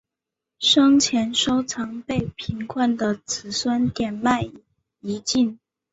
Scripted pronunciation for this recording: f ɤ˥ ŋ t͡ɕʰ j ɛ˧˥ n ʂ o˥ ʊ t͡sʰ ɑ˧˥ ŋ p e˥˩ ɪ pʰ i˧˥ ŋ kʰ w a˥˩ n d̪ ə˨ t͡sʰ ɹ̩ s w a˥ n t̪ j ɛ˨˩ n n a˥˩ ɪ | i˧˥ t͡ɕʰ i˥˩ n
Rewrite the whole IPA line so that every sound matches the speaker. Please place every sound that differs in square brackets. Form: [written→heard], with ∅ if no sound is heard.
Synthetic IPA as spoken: [f→ʂ] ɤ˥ ŋ t͡ɕʰ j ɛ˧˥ n ʂ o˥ ʊ t͡sʰ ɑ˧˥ ŋ p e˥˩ ɪ pʰ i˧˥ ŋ kʰ w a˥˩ n d̪ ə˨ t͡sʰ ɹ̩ s w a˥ n t̪ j ɛ˨˩ n [n→m] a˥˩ ɪ | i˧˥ [t͡ɕʰ→t͡ɕ] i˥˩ n